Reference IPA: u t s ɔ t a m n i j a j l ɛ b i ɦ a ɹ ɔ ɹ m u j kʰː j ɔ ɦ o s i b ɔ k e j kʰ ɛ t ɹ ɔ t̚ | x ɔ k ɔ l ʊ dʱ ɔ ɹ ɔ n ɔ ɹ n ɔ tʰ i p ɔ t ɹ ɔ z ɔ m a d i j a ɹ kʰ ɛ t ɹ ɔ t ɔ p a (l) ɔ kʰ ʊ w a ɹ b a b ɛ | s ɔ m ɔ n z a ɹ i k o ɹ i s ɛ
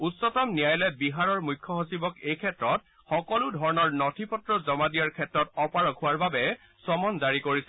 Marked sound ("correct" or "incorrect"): incorrect